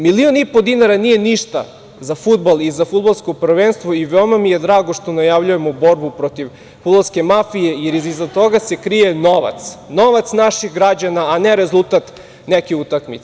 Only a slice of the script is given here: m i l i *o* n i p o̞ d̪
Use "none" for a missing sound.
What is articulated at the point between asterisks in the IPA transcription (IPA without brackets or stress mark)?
o